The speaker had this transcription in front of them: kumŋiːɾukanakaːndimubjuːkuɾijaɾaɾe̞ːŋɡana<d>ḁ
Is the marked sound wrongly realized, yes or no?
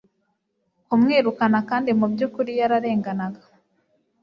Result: yes